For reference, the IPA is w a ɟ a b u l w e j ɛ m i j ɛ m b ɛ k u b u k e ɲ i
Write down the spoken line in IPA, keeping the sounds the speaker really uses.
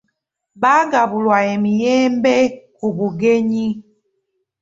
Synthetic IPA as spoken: b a ɡ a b u l w a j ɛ m i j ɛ m b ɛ k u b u ɡ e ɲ i